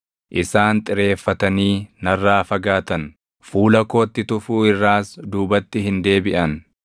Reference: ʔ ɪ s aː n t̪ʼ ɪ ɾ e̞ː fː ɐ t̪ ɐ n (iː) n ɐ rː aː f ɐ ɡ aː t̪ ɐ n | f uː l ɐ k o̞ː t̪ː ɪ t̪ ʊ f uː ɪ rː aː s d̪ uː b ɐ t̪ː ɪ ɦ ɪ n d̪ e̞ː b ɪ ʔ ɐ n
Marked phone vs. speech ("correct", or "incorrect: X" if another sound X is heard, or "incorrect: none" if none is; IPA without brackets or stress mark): correct